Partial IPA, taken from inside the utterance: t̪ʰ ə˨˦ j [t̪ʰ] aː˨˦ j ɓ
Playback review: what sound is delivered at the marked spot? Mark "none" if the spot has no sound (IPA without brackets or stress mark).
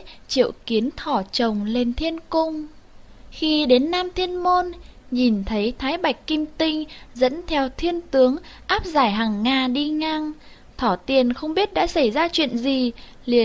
t̪ʰ